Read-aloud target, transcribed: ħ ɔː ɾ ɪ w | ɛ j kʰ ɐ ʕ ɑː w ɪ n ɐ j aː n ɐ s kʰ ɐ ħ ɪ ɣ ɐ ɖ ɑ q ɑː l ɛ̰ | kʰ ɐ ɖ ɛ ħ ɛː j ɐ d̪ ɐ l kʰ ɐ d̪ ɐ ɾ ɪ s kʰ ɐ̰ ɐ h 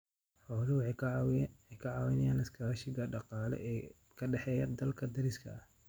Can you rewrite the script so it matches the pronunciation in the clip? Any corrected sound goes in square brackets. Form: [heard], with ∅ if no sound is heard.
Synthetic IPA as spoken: ħ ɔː [l] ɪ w | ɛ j kʰ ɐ ʕ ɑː w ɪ n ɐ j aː n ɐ s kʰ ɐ [ʃ] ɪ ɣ ɐ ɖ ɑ q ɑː l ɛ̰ | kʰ ɐ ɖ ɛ ħ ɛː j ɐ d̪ ɐ l kʰ ɐ d̪ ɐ ɾ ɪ s kʰ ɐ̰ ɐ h

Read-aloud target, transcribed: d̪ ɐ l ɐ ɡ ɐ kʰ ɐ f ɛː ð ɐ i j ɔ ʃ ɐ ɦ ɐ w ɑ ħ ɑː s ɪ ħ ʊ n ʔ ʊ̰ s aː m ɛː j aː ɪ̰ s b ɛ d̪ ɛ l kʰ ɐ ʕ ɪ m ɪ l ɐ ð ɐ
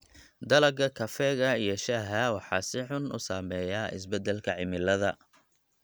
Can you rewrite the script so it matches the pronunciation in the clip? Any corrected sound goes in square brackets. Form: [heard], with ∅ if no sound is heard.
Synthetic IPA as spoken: d̪ ɐ l ɐ ɡ ɐ kʰ ɐ f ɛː [ɣ] ɐ i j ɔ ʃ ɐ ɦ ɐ w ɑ ħ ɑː s ɪ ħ ʊ n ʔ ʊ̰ s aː m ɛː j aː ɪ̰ s b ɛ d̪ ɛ l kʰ ɐ ʕ ɪ m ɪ l ɐ ð ɐ

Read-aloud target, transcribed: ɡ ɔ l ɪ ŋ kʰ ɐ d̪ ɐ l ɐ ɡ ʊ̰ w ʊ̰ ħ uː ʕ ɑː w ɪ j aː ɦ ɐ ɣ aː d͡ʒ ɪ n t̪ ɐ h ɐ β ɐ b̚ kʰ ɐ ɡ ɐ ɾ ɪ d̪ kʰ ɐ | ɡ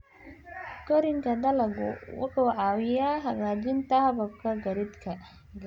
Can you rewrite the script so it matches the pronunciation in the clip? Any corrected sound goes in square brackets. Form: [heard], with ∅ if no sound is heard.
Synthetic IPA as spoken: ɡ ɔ [ɾ] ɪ ŋ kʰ ɐ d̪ ɐ l ɐ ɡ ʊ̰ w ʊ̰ ħ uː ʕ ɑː w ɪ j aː ɦ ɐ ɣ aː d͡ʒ ɪ n t̪ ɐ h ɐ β ɐ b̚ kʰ ɐ ɡ ɐ ɾ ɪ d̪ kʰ ɐ | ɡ

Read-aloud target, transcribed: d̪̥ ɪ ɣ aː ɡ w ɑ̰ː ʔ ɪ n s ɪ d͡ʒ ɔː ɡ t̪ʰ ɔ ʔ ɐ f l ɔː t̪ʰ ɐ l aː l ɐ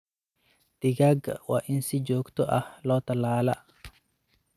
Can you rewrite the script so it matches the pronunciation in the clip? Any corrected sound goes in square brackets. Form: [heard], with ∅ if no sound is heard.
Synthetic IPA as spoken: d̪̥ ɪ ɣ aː ɡ w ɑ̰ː ʔ ɪ n s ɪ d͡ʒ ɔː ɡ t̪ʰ ɔ ʔ ɐ [h] l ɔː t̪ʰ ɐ l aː l ɐ

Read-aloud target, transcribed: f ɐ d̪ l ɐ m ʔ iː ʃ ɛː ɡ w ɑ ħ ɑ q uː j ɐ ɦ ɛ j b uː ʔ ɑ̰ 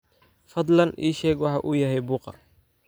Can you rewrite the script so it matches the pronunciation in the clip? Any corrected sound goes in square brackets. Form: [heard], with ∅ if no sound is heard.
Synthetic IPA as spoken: f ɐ d̪ l ɐ [n] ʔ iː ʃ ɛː ɡ w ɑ ħ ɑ [ʔ] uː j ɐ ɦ ɛ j b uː [q] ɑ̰

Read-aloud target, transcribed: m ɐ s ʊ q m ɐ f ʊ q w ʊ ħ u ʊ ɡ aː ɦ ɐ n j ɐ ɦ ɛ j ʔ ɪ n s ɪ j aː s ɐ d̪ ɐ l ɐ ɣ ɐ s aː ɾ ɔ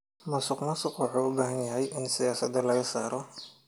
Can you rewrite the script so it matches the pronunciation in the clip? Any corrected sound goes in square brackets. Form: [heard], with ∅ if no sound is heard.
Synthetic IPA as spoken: m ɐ s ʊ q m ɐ [s] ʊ q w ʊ ħ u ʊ [b] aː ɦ ɐ n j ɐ ɦ ɛ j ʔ ɪ n s ɪ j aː s ɐ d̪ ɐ l ɐ ɣ ɐ s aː ɾ ɔ

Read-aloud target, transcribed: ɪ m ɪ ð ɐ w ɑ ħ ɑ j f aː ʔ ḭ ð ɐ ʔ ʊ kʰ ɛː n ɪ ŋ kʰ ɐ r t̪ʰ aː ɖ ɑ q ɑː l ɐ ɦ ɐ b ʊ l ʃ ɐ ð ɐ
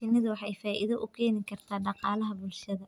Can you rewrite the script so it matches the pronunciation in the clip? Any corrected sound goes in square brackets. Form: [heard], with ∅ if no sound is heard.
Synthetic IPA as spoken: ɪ [n] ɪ ð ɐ w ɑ ħ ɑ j f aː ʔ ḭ ð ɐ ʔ ʊ kʰ ɛː n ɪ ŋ kʰ ɐ r t̪ʰ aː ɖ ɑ q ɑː l ɐ ɦ ɐ b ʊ l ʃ ɐ ð ɐ

